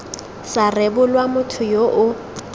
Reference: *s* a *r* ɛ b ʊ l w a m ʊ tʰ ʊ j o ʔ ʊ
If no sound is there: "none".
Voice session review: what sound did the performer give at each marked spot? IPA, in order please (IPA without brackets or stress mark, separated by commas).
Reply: s, r